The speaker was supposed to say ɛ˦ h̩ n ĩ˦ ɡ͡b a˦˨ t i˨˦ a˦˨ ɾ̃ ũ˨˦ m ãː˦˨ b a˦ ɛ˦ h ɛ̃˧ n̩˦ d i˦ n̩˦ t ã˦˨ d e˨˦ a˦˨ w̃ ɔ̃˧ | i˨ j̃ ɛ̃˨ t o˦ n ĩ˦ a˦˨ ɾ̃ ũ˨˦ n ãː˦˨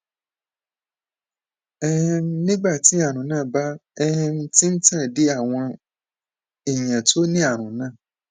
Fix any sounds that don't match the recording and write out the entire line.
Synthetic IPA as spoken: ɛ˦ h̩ n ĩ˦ ɡ͡b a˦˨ t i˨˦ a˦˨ ɾ̃ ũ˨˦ n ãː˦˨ b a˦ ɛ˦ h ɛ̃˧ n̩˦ t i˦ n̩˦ t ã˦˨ d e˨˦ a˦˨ w̃ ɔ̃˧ | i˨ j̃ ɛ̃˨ t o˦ n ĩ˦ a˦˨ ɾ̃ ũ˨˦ n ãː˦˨